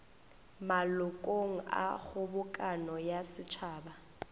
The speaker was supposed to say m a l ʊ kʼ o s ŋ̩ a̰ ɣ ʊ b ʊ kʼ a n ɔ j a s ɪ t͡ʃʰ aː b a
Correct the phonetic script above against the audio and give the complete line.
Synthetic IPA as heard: m a l ʊ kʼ o ŋ̩ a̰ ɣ ʊ b ʊ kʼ a n ɔ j a s ɪ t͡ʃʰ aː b a